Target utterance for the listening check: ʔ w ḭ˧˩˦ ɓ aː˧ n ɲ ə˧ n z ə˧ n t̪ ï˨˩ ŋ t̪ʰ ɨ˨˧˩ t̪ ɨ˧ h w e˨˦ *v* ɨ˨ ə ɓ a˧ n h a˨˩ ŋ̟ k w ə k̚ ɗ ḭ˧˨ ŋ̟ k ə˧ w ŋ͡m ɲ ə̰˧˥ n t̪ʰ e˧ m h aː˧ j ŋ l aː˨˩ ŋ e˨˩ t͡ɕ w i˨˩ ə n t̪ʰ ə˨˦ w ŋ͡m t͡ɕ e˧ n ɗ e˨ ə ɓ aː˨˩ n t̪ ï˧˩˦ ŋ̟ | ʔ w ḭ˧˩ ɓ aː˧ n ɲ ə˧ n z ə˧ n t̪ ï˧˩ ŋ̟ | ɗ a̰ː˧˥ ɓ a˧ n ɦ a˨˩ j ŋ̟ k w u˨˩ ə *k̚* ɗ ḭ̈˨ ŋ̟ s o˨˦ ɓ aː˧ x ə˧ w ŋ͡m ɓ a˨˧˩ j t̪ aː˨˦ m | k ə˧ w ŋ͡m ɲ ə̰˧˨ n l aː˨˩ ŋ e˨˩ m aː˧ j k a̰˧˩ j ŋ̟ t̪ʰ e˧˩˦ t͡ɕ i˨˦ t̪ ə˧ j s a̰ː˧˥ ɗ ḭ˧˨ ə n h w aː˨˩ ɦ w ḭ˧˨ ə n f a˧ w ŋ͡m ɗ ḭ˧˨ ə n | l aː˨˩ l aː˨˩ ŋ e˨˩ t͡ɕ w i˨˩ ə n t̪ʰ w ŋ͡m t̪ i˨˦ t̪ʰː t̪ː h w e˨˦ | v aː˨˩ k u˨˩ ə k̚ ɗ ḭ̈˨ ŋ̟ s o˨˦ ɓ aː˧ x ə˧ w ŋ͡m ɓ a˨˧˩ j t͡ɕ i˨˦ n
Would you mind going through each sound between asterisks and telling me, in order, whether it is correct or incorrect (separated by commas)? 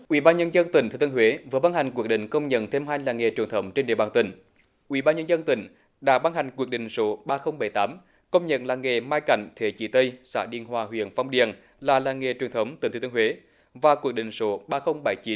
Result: correct, correct